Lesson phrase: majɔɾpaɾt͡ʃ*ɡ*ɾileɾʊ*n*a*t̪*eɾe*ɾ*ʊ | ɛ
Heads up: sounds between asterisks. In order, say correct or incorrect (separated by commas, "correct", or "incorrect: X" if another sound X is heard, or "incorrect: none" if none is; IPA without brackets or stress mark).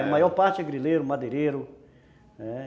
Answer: correct, incorrect: m, incorrect: d̪, correct